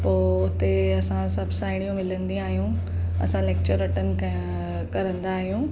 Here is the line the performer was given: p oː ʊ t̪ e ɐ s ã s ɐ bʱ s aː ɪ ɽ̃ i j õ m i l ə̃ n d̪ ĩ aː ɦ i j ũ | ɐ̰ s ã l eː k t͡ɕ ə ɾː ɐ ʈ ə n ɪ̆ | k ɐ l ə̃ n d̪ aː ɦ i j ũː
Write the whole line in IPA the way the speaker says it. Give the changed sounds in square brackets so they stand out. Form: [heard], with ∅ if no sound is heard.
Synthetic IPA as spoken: p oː ʊ t̪ e ɐ s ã s ɐ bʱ s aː ɪ ɽ̃ i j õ m [ɪ] l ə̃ n d̪ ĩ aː ɦ i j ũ | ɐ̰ s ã l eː k t͡ɕ ə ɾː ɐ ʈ ə n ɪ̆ | k ɐ [ɾ] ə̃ n d̪ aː ɦ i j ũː